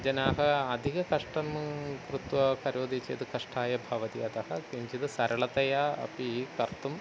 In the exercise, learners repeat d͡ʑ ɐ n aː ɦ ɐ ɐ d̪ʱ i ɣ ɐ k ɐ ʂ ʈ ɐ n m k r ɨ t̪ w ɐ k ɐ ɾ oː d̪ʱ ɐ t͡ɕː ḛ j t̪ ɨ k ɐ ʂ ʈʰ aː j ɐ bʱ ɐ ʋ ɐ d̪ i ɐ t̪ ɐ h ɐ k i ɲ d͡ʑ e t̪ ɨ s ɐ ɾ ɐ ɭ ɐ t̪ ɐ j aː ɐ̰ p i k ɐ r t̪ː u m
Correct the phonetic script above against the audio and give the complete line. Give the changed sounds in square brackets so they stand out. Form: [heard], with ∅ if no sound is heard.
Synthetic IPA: d͡ʑ ɐ n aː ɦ ɐ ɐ d̪ʱ i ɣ ɐ k ɐ ʂ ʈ ɐ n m k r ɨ t̪ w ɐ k ɐ ɾ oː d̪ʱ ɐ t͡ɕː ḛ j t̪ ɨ k ɐ ʂ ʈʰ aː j ɐ bʱ ɐ ʋ ɐ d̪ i ɐ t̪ ɐ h ɐ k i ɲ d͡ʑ [i] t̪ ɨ s ɐ ɾ ɐ ɭ ɐ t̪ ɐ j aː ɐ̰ p i k ɐ r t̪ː u m

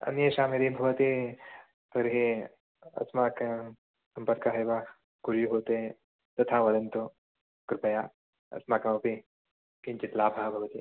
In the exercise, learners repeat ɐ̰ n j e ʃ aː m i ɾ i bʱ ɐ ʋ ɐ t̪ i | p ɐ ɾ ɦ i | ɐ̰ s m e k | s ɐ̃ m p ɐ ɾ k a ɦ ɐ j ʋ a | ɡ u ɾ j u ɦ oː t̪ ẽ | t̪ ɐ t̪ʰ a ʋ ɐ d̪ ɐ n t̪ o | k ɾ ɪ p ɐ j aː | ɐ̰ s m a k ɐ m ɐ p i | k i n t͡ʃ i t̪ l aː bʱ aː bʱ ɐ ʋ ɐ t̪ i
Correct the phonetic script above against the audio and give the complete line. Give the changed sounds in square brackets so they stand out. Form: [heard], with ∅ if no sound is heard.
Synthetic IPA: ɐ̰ n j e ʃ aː m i ɾ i bʱ ɐ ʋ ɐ t̪ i | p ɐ ɾ ɦ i | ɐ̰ s m [a] k | s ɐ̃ m p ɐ ɾ k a ɦ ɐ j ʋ a | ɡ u ɾ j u ɦ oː t̪ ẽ | t̪ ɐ t̪ʰ a ʋ ɐ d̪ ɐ n t̪ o | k ɾ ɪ p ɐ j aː | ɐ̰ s m a k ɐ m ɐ p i | k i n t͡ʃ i t̪ l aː bʱ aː bʱ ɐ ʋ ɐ t̪ i

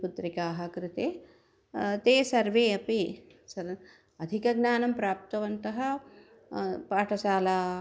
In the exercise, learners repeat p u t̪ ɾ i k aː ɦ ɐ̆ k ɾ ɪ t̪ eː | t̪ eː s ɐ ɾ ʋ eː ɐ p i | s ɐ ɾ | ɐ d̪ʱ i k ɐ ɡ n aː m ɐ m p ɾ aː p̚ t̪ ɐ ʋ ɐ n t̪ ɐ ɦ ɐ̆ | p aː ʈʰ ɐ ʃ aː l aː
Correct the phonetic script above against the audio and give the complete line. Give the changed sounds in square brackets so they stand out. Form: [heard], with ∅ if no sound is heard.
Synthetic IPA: p u t̪ ɾ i k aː ɦ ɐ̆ k ɾ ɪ t̪ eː | t̪ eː s ɐ ɾ ʋ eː ɐ p i | s ɐ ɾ | ɐ d̪ʱ i k ɐ ɡ n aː [n] ɐ m p ɾ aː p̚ t̪ ɐ ʋ ɐ n t̪ ɐ ɦ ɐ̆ | p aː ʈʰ ɐ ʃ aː l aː

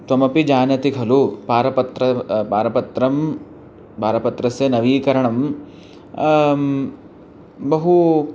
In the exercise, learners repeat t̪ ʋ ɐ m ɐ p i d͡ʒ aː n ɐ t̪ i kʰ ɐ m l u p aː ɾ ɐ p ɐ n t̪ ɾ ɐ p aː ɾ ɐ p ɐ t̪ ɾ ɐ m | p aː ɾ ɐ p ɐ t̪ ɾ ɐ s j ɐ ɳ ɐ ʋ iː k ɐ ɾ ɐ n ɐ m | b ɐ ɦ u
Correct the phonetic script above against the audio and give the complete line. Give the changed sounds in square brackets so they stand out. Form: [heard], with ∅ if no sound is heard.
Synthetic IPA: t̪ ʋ ɐ m ɐ p i d͡ʒ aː n ɐ t̪ i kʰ ɐ [∅] l u p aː ɾ ɐ p ɐ [∅] t̪ ɾ ɐ p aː ɾ ɐ p ɐ t̪ ɾ ɐ m | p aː ɾ ɐ p ɐ t̪ ɾ ɐ s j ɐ [n] ɐ ʋ iː k ɐ ɾ ɐ [ɳ] ɐ m | b ɐ ɦ u

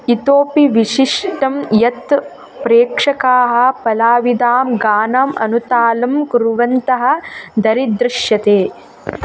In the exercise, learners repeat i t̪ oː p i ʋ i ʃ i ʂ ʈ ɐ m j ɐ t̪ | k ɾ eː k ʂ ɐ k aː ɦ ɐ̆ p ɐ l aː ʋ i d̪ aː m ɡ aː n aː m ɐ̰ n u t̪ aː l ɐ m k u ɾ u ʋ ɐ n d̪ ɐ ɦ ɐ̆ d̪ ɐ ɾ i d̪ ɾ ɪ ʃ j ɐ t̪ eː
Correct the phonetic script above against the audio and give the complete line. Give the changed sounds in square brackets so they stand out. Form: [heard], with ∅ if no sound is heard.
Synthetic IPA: i t̪ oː p i ʋ i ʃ i ʂ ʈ ɐ m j ɐ t̪ | [p] ɾ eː k ʂ ɐ k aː ɦ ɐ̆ p ɐ l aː ʋ i d̪ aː m ɡ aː n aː m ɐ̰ n u t̪ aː l ɐ m k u ɾ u ʋ ɐ n [t̪] ɐ ɦ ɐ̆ d̪ ɐ ɾ i d̪ ɾ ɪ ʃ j ɐ t̪ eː

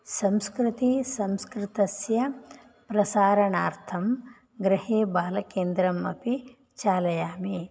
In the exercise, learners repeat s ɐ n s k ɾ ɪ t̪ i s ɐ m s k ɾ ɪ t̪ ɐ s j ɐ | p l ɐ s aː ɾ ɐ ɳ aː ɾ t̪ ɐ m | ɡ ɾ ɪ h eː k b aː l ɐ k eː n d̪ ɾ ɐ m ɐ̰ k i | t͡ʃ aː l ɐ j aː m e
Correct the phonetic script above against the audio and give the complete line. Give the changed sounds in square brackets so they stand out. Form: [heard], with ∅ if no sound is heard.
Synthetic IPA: s ɐ [m] s k ɾ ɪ t̪ i s ɐ m s k ɾ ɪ t̪ ɐ s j ɐ | p [ɾ] ɐ s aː ɾ ɐ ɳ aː ɾ [t̪ʰ] ɐ m | ɡ ɾ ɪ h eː [∅] b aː l ɐ k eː n d̪ ɾ ɐ m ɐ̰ [p] i | t͡ʃ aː l ɐ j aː m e

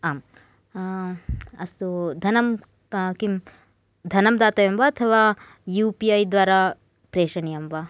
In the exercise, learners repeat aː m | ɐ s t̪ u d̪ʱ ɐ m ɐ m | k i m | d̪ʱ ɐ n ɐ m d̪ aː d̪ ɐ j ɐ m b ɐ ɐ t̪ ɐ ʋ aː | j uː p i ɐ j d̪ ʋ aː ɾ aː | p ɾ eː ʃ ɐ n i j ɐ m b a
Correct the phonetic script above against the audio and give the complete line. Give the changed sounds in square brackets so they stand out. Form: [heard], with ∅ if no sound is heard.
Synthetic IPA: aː m | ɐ s t̪ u d̪ʱ ɐ [n] ɐ m | k i m | d̪ʱ ɐ n ɐ m d̪ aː [t̪] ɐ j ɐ m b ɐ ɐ [t̪ʰ] ɐ ʋ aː | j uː p i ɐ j d̪ ʋ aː ɾ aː | p ɾ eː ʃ ɐ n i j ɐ m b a

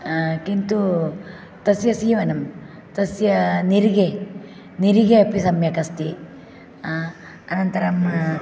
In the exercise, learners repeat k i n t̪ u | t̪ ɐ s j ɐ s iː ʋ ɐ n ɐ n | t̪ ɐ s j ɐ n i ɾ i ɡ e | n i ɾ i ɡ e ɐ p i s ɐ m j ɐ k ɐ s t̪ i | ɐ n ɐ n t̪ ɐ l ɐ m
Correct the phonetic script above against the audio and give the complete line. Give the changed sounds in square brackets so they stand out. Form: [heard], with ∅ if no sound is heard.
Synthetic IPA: k i n t̪ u | t̪ ɐ s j ɐ s iː ʋ ɐ n ɐ [m] | t̪ ɐ s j ɐ n i ɾ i ɡ e | n i ɾ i ɡ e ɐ p i s ɐ m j ɐ k ɐ s t̪ i | ɐ n ɐ n t̪ ɐ [ɾ] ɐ m

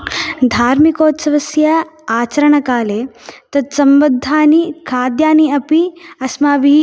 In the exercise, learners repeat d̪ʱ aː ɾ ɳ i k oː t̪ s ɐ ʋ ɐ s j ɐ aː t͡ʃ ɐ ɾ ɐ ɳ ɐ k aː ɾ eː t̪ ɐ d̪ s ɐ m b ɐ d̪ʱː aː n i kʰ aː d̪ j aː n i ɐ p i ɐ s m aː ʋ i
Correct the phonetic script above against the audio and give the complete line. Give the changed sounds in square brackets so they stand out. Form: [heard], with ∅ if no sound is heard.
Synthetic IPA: d̪ʱ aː ɾ [m] i k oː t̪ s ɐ ʋ ɐ s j ɐ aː t͡ʃ ɐ ɾ ɐ ɳ ɐ k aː [l] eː t̪ ɐ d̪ s ɐ m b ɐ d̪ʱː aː n i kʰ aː d̪ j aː n i ɐ p i ɐ s m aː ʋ i

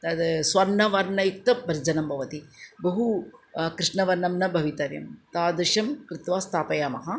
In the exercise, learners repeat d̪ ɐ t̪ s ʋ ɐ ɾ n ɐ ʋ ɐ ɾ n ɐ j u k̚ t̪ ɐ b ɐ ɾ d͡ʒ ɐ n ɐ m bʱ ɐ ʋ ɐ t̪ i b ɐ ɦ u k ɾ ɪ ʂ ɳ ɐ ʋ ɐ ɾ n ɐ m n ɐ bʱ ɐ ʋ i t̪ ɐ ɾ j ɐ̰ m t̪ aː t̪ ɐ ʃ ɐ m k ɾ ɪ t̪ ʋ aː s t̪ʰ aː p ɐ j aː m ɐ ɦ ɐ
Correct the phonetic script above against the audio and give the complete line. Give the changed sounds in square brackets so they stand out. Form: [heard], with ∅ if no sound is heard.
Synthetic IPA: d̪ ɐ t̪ s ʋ ɐ ɾ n ɐ ʋ ɐ ɾ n ɐ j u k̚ t̪ ɐ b ɐ ɾ d͡ʒ ɐ n ɐ m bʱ ɐ ʋ ɐ t̪ i b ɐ ɦ u k ɾ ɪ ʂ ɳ ɐ ʋ ɐ ɾ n ɐ m n ɐ bʱ ɐ ʋ i t̪ ɐ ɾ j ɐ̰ m t̪ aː [d̪] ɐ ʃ ɐ m k ɾ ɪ t̪ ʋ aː s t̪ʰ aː p ɐ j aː m ɐ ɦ ɐ

